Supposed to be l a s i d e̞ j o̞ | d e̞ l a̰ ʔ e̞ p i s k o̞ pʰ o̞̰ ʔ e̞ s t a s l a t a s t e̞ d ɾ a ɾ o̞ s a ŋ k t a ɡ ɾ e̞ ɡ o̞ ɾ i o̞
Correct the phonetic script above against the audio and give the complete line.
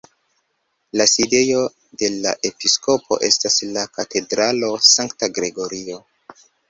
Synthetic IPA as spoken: l a s i d e̞ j o̞ | d e̞ l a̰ ʔ e̞ p i s k o̞ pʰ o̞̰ ʔ e̞ s t a s l a k a t e̞ d ɾ a l o̞ s a ŋ k t a ɡ ɾ e̞ ɡ o̞ ɾ i o̞